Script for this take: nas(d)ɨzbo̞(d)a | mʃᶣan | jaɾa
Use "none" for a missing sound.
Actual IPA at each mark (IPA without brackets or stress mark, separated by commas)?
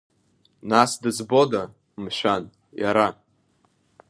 d, d